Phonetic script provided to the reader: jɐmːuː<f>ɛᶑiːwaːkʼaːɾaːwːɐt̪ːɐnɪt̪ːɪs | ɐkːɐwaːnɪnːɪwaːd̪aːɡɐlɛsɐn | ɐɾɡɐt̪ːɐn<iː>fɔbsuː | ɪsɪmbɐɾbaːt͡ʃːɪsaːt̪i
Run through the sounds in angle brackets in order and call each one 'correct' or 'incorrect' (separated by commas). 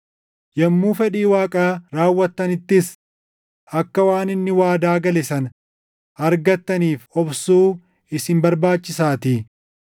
correct, correct